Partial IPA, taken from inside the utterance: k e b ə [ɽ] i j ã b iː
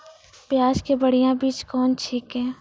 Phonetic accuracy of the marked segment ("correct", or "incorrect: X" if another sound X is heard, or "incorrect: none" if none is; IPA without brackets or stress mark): correct